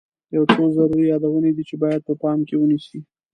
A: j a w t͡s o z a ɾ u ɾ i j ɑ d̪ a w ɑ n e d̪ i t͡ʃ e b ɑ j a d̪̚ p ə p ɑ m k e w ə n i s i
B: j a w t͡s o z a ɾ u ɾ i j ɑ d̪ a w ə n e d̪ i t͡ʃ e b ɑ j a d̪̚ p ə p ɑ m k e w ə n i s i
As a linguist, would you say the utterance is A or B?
B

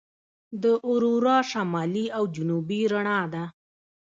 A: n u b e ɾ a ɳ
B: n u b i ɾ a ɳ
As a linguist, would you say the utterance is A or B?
B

